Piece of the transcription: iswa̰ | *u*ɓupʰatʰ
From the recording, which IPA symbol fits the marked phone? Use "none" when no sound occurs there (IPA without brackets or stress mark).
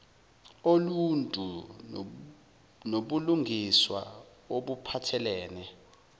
o